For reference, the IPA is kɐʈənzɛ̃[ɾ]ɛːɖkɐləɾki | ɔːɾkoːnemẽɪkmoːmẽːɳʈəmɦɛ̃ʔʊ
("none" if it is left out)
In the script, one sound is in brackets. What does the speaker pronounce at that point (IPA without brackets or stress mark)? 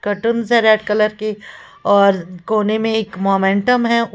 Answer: ɾ